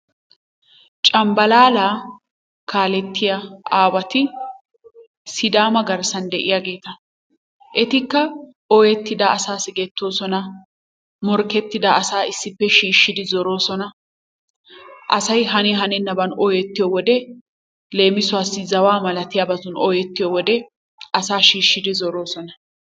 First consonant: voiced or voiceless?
voiceless